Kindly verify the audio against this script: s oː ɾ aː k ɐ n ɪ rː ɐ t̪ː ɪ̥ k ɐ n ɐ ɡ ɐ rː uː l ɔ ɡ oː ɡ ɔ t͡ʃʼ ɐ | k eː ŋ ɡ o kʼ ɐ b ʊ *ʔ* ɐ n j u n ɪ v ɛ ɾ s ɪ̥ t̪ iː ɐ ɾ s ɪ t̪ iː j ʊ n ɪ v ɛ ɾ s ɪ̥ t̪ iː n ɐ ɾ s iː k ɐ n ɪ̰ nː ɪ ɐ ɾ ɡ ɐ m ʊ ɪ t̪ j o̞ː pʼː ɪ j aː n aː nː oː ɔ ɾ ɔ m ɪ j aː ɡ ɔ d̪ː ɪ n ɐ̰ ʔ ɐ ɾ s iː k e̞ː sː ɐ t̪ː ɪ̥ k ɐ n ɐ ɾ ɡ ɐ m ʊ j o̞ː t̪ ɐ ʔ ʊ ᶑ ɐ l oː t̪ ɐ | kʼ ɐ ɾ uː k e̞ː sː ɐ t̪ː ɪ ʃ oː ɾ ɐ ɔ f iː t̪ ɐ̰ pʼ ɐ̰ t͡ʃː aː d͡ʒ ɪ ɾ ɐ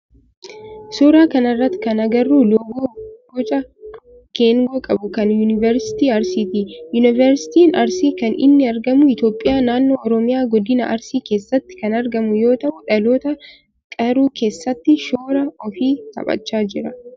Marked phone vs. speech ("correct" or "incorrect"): incorrect